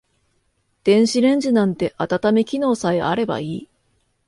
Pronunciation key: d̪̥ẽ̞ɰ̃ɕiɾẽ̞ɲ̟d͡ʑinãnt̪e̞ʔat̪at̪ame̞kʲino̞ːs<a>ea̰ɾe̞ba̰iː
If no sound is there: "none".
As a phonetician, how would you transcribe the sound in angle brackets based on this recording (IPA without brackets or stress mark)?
a